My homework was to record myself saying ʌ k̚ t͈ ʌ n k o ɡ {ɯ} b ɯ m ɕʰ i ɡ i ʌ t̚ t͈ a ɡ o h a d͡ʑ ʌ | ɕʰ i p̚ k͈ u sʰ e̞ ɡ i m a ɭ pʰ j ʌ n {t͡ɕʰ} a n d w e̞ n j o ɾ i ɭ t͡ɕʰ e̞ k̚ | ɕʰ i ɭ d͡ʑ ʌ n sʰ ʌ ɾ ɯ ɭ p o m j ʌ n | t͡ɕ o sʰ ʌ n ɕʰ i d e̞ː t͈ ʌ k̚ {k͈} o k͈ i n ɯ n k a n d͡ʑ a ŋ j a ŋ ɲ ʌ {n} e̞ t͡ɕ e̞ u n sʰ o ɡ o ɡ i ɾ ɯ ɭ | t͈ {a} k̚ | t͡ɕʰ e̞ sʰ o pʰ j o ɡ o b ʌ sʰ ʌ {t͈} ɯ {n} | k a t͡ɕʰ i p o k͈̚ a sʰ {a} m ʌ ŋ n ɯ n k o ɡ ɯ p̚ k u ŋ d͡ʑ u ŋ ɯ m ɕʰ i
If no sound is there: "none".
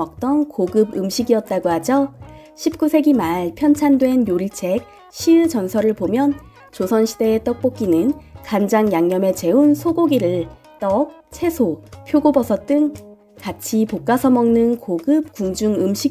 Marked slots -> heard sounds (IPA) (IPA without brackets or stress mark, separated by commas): ɯ, t͡ɕʰ, p͈, m, ʌ, t͈, ŋ, ʌ